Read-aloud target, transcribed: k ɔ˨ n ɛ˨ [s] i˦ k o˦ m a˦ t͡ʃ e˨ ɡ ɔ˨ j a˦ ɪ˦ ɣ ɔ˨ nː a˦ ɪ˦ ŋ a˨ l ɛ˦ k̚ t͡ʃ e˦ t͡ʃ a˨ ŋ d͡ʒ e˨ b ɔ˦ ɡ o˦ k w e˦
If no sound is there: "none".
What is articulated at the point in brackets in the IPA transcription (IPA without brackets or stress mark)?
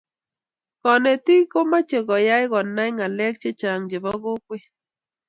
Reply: t